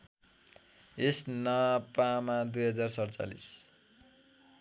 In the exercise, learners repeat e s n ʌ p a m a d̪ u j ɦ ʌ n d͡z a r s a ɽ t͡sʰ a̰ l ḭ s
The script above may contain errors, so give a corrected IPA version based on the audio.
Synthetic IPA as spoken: e s n ʌ p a m a d̪ u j ɦ ʌ d͡z a r s ʌ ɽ t͡s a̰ l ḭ s